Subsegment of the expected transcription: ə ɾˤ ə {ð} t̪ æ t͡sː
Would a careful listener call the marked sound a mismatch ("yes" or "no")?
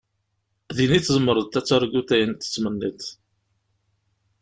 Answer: no